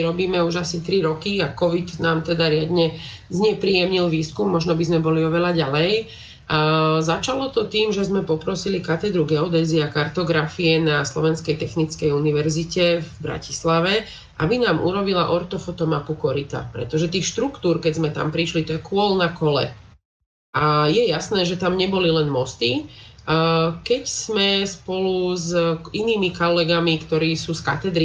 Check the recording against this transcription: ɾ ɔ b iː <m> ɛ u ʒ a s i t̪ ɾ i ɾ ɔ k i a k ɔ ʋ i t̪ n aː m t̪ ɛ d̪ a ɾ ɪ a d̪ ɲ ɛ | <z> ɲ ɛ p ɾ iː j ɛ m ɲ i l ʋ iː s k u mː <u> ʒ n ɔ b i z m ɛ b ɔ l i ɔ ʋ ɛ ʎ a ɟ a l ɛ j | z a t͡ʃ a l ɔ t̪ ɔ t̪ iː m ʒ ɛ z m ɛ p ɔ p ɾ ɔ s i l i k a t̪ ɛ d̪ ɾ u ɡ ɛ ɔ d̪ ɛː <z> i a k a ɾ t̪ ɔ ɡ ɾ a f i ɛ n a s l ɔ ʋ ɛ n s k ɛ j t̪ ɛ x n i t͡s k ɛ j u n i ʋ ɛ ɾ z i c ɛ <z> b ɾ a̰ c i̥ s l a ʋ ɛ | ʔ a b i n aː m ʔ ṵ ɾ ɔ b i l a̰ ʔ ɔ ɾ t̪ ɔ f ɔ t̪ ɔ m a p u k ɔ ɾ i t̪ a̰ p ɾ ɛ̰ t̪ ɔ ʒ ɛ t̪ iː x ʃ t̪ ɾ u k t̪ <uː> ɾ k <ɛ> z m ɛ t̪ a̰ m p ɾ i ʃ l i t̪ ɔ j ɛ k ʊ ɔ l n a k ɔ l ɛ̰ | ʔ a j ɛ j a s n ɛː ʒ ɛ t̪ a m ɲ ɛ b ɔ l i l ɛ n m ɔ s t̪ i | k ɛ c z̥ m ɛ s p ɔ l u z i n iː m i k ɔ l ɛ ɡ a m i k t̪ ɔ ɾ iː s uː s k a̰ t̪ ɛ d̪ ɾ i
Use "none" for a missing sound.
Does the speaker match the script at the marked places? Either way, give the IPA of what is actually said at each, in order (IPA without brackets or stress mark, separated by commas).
m, z, ɔ, z, v, uː, ɛ